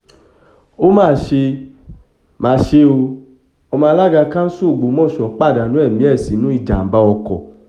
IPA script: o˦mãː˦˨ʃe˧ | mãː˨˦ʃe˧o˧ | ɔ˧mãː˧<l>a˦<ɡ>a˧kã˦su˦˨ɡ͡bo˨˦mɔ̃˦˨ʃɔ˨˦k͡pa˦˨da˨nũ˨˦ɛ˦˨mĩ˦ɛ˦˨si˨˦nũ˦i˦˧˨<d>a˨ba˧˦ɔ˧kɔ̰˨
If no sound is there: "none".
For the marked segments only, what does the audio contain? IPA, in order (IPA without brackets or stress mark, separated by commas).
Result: l, ɡ, d͡ʒ